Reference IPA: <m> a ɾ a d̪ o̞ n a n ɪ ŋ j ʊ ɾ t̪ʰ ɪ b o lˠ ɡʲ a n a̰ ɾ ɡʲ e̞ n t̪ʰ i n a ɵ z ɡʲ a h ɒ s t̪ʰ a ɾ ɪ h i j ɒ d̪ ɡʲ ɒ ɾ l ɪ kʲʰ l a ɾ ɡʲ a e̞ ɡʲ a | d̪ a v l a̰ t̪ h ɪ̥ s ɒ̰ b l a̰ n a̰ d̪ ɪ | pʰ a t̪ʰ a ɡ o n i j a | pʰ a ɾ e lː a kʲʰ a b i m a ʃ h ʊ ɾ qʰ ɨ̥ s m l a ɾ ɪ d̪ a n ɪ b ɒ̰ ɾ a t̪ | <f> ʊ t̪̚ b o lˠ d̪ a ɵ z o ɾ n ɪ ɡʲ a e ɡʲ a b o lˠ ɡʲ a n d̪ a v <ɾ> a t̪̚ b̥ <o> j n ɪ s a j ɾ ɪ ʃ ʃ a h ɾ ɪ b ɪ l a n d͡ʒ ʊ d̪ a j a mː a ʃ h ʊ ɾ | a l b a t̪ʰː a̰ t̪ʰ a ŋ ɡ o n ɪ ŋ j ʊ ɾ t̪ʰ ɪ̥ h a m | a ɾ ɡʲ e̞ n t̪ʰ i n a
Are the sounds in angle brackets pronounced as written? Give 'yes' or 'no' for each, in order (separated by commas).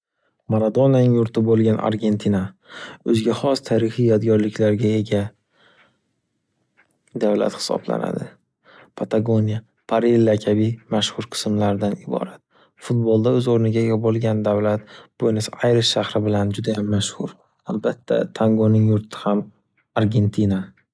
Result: yes, yes, no, yes